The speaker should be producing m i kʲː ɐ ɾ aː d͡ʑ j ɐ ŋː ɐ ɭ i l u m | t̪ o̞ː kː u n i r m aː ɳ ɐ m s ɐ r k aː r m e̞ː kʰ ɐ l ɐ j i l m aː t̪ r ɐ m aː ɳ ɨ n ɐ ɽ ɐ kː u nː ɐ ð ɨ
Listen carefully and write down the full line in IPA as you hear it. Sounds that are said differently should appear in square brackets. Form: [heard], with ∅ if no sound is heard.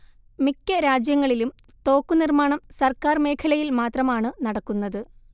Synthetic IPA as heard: m i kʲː ɐ ɾ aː d͡ʑ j ɐ ŋː ɐ ɭ i l u m | t̪ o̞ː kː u n i r m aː ɳ ɐ m s ɐ r k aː r m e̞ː kʰ ɐ l ɐ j i l m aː t̪ r ɐ m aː ɳ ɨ n ɐ ɽ ɐ kː u nː ɐ ð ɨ